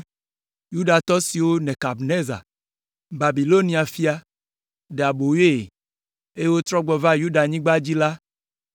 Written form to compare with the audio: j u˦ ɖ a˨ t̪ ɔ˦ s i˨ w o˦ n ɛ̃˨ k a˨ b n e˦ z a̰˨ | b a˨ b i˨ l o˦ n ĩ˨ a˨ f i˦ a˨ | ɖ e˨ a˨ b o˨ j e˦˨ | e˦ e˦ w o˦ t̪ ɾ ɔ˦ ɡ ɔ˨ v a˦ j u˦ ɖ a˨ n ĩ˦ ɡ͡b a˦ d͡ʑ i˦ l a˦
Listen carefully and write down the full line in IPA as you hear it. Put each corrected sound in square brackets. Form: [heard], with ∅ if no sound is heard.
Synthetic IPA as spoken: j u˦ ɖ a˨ t̪ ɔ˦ s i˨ w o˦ n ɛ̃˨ k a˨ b n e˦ z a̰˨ | b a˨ b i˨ l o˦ n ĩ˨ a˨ f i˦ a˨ | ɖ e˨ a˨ b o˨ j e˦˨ | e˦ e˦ w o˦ t̪ ɾ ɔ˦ [ɡ͡b] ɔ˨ v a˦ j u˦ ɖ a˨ [ɲ] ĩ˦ ɡ͡b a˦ d͡ʑ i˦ l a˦